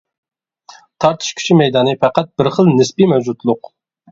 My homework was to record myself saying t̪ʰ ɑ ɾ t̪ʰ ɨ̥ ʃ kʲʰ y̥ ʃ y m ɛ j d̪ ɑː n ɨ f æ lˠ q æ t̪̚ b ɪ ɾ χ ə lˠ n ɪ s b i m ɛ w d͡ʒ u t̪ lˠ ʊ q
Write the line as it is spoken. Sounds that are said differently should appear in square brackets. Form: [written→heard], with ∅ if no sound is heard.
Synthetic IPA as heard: t̪ʰ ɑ ɾ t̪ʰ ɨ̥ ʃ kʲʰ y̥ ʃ [y→i] m ɛ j d̪ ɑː n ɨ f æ [lˠ→∅] q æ t̪̚ b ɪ ɾ χ ə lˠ n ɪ s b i m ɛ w d͡ʒ u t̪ lˠ ʊ q